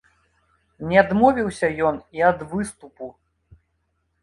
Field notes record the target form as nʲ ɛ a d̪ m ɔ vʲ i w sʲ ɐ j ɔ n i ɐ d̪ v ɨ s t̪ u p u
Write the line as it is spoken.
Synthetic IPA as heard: nʲ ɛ a d̪ m ɔ vʲ i w sʲ ɐ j ɔ n i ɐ d̪ v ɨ s t̪ u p u